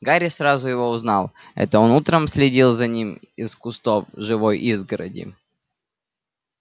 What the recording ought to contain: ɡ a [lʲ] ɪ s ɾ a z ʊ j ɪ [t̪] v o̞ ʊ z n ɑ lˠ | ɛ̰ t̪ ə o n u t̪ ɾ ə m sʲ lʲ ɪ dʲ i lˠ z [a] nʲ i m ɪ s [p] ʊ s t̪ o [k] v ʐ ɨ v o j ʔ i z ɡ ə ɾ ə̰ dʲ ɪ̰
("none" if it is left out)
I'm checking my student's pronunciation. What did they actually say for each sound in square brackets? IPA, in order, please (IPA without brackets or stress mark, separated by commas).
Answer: ɾʲ, none, ɐ, k, none